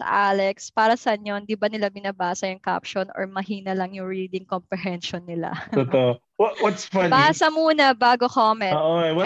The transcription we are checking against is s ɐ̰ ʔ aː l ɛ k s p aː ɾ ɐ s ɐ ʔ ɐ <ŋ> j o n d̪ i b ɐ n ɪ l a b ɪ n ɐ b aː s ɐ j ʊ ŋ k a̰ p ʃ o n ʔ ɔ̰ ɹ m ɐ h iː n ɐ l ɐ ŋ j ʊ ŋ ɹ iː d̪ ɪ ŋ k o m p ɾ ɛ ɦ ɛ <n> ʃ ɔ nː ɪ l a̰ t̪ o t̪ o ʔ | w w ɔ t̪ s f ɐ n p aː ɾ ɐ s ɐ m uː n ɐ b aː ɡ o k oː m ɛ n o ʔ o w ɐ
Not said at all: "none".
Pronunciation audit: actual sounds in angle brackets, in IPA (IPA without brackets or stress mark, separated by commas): ɲ, n